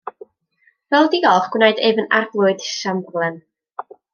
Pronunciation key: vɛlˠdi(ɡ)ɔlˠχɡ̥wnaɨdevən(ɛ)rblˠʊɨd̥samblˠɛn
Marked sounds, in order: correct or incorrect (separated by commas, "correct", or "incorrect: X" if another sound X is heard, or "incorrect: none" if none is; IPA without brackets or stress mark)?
correct, incorrect: a